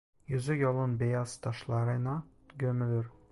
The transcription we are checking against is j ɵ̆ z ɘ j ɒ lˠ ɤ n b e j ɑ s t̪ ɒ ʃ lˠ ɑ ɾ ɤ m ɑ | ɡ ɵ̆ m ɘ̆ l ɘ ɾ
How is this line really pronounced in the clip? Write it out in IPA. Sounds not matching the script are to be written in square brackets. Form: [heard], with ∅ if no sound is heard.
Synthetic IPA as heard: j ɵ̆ z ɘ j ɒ lˠ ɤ n b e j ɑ s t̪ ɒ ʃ lˠ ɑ ɾ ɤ [n] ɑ | ɡ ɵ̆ m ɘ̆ l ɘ ɾ